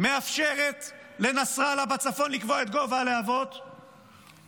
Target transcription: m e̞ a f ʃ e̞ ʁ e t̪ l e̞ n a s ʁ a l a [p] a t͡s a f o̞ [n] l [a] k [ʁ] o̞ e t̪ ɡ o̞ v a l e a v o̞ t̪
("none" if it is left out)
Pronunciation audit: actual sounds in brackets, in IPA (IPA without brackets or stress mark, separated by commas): b, n, i, v